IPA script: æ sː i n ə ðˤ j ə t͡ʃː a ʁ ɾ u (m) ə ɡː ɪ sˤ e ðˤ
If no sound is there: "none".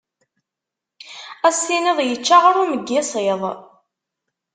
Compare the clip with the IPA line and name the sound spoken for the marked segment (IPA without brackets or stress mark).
m